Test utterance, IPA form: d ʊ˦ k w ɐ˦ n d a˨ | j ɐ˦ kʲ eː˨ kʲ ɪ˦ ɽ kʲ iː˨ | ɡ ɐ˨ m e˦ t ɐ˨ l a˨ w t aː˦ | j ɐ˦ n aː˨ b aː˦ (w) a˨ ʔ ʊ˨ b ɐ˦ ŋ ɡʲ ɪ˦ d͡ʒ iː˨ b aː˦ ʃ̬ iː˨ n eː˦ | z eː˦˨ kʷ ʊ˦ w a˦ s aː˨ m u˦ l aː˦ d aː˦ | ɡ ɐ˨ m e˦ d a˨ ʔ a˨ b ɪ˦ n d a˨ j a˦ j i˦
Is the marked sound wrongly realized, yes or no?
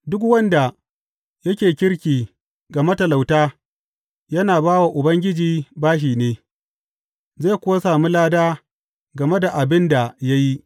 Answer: no